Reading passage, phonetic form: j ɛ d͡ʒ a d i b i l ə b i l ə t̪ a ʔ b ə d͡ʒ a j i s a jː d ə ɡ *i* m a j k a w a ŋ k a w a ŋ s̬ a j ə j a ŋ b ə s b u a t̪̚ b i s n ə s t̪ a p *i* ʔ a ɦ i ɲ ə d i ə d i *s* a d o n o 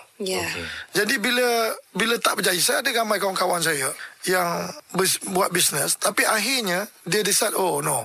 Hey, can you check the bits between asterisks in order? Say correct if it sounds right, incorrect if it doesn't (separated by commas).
incorrect, correct, correct